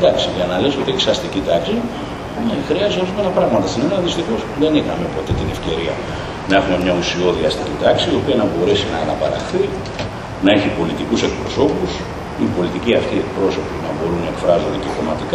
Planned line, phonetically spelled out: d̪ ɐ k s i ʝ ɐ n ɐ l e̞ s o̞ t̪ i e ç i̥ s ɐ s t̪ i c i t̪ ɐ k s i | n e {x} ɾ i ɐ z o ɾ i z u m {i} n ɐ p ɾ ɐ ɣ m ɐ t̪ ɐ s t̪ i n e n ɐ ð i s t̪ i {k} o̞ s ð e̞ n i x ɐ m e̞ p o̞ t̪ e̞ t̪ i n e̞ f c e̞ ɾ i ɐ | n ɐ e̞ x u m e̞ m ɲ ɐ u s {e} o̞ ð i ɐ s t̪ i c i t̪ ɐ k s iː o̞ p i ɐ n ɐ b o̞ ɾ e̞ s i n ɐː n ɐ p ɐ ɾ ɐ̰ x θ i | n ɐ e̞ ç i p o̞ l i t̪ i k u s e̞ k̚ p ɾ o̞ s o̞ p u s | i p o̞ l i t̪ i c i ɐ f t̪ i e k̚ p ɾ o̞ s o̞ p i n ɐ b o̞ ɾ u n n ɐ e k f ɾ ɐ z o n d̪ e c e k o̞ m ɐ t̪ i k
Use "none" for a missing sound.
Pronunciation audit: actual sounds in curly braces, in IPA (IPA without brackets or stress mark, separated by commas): x, e, x, i